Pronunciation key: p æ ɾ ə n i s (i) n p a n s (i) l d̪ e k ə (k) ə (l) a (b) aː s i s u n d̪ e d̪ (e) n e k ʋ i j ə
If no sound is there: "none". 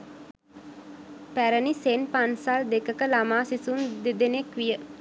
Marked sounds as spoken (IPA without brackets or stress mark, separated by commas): e, a, k, l, m, e